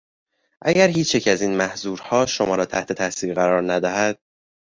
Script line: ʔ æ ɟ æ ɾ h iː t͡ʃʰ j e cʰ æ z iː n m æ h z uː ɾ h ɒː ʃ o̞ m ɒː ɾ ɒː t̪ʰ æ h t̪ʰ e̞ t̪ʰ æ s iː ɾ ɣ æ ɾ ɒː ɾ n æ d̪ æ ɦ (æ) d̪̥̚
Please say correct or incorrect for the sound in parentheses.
correct